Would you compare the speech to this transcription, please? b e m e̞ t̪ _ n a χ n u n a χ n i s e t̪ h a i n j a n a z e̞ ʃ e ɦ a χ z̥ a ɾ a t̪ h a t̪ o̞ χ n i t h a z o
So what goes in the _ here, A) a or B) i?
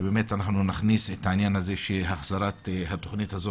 A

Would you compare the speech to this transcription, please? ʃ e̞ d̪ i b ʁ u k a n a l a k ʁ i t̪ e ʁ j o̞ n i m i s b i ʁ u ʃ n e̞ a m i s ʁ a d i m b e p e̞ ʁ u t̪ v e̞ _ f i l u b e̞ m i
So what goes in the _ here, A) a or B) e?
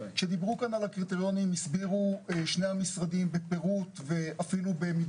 A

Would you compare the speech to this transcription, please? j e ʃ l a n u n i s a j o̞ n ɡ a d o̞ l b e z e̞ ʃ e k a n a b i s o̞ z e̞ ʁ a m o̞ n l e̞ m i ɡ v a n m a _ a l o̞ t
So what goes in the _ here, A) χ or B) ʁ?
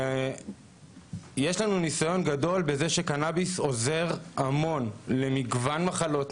A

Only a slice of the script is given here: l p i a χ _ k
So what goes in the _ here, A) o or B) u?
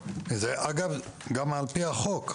A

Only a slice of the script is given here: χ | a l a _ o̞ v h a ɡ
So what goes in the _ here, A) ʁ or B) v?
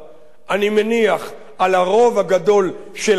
A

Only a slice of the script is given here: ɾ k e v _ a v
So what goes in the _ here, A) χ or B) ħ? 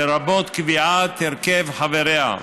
B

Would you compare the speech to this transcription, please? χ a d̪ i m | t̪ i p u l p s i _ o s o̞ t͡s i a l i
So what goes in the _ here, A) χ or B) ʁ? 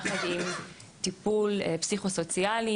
A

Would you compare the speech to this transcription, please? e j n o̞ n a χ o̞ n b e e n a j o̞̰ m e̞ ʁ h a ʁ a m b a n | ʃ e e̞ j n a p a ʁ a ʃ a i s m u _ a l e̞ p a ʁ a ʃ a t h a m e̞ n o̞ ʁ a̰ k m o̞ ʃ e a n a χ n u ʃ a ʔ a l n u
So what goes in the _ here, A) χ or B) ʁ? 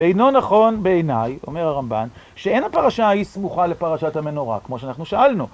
A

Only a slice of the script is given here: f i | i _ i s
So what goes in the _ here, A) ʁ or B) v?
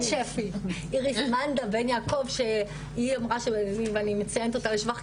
A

